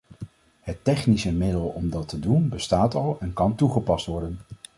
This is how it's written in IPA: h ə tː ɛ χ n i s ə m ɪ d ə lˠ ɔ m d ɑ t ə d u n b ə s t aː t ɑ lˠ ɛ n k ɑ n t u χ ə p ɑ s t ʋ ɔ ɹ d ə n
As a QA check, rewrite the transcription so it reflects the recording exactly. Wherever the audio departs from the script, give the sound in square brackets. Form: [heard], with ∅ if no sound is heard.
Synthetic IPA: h ə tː ɛ χ n i s ə m ɪ d ə lˠ ɔ m d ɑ t ə d u n b ə s t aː t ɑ lˠ ɛ n k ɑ n t u χ ə p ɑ s t ʋ ɔ ɹ d ə n